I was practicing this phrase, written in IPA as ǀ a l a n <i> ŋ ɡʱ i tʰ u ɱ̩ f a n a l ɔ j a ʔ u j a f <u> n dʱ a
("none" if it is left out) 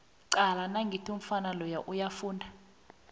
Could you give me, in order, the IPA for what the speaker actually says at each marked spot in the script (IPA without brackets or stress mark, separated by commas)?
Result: a, uː